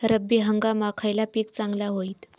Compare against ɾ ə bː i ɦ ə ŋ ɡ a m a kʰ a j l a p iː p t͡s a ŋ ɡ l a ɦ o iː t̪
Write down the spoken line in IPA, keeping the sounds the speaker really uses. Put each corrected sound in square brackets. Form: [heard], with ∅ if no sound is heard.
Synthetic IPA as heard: ɾ ə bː i ɦ ə ŋ ɡ a m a kʰ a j l a p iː [k] t͡s a ŋ ɡ l a ɦ o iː t̪